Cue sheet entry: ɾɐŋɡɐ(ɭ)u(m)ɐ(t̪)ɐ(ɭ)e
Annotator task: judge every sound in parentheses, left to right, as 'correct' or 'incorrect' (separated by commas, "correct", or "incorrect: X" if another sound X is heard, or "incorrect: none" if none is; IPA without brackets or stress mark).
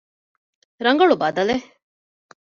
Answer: correct, incorrect: b, incorrect: d̪, incorrect: l